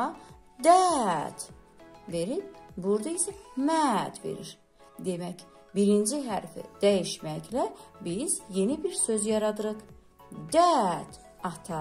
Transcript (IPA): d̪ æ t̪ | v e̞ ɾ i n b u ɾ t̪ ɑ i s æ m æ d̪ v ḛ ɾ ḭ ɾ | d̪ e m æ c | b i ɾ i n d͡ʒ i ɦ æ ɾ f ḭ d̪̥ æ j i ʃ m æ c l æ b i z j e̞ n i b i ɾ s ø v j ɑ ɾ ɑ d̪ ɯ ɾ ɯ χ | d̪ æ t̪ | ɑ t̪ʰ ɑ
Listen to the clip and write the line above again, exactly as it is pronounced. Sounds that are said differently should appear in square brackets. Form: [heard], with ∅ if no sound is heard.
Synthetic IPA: d̪ æ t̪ | v e̞ ɾ i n b u ɾ [d̪] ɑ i s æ m æ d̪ v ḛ ɾ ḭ ɾ | d̪ e m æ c | b i ɾ i n d͡ʒ i ɦ æ ɾ f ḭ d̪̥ æ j i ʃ m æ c l æ b i z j e̞ n i b i ɾ s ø [z] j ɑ ɾ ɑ d̪ ɯ ɾ ɯ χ | d̪ æ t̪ | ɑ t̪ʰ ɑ